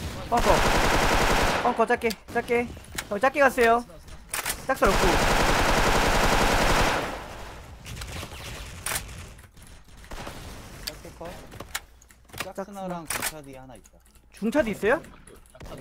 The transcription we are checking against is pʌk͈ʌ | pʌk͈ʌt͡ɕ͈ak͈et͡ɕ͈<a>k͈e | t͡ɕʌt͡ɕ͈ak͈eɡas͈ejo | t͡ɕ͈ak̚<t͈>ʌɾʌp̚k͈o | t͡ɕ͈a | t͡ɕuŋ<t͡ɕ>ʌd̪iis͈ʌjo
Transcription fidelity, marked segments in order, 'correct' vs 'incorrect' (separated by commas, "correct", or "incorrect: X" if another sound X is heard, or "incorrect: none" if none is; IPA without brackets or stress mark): correct, incorrect: s͈, incorrect: t͡ɕʰ